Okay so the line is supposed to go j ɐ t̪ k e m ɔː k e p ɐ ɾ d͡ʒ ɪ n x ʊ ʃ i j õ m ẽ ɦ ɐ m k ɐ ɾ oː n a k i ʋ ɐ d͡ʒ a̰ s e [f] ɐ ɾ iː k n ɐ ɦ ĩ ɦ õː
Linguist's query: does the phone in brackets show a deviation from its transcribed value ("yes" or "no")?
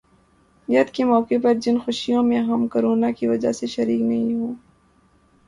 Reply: yes